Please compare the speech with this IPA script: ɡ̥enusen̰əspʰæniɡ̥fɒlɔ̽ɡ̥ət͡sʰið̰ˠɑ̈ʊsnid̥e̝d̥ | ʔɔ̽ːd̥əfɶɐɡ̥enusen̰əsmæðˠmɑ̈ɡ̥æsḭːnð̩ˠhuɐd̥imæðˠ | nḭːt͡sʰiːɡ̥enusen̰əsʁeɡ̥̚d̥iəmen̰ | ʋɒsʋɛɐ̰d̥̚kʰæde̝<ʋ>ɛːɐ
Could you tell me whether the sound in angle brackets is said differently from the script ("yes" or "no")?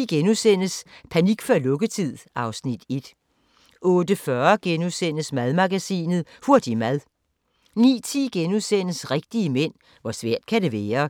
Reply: no